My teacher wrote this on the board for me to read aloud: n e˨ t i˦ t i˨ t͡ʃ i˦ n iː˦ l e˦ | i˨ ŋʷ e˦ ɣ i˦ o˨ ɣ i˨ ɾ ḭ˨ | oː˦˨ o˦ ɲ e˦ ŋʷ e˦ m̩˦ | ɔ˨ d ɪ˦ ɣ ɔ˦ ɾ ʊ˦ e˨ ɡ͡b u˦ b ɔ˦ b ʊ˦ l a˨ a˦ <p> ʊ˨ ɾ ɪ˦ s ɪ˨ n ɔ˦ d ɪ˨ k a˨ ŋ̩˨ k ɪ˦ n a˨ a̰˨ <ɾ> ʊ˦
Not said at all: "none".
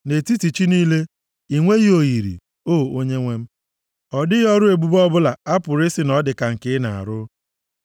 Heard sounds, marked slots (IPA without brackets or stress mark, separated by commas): p, ɾ